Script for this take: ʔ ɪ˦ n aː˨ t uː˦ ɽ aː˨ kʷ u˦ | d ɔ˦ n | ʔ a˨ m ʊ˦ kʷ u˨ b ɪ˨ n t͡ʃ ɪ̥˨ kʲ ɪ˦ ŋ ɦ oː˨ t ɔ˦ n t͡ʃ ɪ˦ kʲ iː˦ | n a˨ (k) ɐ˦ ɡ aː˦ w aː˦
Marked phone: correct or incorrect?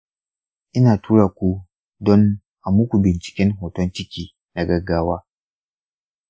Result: incorrect